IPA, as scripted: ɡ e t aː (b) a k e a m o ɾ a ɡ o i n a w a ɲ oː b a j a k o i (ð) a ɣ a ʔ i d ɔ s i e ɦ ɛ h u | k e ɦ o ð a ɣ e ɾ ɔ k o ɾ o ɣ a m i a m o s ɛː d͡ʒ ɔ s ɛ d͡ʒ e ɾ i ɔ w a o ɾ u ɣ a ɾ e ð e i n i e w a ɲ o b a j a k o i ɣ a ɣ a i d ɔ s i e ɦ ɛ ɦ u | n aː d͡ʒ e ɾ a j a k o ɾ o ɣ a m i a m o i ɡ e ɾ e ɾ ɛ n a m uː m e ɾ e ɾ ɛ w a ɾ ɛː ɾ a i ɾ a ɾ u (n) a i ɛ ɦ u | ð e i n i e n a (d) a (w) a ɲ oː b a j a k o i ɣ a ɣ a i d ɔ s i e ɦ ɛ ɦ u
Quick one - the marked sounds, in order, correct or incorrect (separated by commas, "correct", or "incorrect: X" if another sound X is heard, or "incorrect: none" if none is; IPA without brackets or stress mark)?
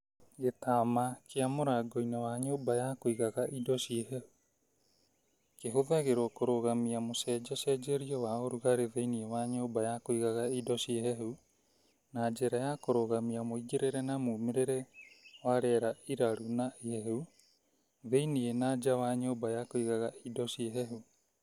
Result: incorrect: m, incorrect: ɣ, correct, incorrect: d͡ʒ, correct